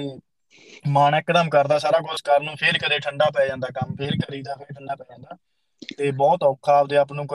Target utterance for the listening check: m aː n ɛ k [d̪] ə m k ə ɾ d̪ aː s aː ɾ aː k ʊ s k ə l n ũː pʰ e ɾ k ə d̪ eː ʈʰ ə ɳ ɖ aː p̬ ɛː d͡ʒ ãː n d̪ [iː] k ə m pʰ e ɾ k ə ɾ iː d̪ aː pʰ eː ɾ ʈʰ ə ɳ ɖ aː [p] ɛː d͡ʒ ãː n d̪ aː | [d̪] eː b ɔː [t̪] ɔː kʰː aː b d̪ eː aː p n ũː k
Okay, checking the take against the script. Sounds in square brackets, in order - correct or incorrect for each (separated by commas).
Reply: correct, incorrect, correct, incorrect, correct